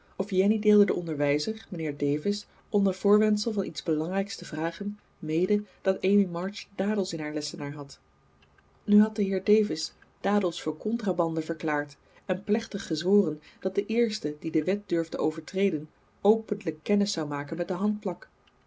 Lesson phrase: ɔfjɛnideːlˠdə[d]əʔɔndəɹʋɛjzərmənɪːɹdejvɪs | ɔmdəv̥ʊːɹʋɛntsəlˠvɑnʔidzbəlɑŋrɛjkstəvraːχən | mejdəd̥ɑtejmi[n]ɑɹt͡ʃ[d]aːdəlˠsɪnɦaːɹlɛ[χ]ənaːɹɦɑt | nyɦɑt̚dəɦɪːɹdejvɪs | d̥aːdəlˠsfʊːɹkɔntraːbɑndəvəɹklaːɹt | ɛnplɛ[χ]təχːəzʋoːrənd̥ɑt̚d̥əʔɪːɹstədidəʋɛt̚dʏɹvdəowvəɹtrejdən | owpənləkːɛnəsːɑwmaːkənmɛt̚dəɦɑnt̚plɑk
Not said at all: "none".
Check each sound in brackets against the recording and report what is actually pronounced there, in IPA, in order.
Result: d, m, d, s, χ

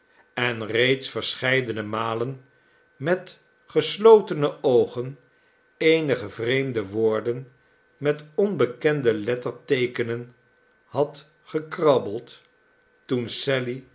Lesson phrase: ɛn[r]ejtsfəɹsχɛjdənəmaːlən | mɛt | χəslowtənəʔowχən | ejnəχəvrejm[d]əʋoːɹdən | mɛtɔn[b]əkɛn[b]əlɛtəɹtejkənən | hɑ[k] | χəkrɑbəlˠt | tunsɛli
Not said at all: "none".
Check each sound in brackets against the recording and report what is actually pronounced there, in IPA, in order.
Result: r, d, b, d, t

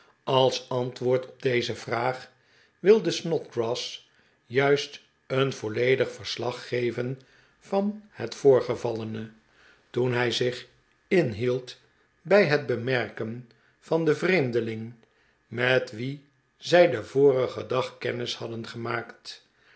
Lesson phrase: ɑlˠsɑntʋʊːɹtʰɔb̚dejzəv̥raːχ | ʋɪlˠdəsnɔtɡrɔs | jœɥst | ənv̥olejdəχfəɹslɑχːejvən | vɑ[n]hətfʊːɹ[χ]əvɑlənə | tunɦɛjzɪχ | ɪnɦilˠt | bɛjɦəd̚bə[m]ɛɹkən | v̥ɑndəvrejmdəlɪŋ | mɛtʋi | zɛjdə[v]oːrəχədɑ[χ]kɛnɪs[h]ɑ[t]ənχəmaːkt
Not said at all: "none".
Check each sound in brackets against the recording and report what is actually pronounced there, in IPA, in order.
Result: n, χ, m, v, χ, h, d

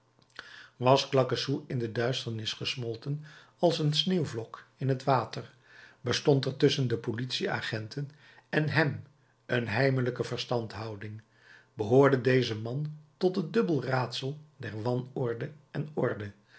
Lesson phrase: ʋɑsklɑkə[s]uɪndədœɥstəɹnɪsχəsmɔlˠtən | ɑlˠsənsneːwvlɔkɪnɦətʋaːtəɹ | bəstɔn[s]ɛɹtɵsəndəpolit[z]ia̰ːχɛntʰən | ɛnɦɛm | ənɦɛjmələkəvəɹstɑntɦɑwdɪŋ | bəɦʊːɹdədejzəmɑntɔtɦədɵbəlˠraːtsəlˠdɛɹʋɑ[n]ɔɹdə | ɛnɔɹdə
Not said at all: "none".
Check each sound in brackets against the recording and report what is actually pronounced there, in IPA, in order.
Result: s, t, s, n

